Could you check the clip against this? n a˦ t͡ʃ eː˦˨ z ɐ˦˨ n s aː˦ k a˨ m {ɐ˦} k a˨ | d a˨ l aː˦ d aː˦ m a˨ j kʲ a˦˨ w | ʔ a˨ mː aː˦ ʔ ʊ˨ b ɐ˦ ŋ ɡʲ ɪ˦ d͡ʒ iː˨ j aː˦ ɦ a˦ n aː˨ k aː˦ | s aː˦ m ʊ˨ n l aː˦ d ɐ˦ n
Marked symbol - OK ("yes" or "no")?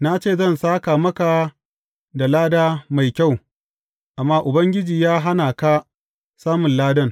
yes